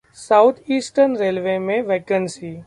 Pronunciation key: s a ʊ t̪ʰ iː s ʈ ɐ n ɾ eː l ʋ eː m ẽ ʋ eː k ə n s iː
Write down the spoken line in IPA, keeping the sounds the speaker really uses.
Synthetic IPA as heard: s a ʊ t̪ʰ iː s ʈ ə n ɾ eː l ʋ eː m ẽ ʋ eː k ə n s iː